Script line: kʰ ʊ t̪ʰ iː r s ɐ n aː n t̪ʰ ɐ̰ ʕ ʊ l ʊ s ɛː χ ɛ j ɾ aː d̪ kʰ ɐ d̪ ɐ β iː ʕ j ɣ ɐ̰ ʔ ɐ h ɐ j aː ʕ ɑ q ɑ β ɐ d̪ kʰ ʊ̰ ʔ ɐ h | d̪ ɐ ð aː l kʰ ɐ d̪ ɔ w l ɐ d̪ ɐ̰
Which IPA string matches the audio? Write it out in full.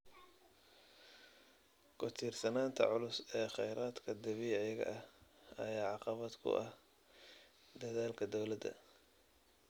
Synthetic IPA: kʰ ʊ t̪ʰ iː r s ɐ n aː n t̪ʰ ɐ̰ ʕ ʊ l ʊ s ɛː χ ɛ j ɾ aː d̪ kʰ ɐ d̪ ɐ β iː ʕ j ɣ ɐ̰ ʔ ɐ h ɐ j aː ʕ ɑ q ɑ β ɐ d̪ kʰ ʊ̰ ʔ ɐ h | d̪ ɐ ð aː l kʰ ɐ d̪ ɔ w l ɐ d̪ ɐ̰